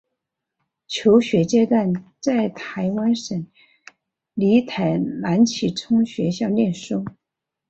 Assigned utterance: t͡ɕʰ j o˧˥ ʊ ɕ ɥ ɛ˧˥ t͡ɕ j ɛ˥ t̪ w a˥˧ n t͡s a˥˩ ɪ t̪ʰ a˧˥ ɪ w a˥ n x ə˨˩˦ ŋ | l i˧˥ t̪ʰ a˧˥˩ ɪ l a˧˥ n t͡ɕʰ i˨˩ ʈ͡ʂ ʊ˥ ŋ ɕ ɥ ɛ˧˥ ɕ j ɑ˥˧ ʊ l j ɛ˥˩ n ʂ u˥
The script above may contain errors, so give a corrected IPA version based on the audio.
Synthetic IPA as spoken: t͡ɕʰ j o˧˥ ʊ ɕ ɥ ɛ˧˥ t͡ɕ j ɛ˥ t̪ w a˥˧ n t͡s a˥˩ ɪ t̪ʰ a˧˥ ɪ w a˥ n ʂ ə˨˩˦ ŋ | l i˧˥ t̪ʰ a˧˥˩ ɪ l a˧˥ n t͡ɕʰ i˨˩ ʈ͡ʂʰ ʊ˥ ŋ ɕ ɥ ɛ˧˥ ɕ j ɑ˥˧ ʊ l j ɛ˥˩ n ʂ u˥